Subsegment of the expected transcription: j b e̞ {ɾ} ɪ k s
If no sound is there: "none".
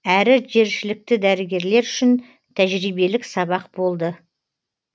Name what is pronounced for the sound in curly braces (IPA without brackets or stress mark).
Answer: l